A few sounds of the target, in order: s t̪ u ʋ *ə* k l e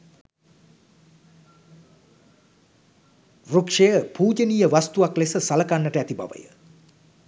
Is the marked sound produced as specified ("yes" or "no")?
no